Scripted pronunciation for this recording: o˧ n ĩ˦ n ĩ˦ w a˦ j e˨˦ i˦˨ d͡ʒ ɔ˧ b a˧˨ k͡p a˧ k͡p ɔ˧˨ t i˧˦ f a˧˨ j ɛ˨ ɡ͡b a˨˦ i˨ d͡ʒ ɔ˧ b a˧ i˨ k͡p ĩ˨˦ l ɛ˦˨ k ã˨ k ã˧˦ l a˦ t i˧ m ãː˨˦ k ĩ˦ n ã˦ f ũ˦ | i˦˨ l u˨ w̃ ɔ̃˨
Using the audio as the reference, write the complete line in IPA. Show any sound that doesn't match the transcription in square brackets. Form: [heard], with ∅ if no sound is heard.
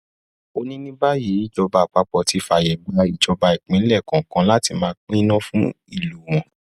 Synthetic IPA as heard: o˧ n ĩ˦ n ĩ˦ [b] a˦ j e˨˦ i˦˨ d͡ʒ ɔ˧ b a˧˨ k͡p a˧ k͡p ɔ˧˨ t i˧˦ f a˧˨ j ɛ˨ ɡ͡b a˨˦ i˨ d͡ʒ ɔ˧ b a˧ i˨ k͡p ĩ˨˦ l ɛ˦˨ k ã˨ k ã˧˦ l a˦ t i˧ m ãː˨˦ [k͡p] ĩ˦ n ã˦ f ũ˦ | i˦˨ l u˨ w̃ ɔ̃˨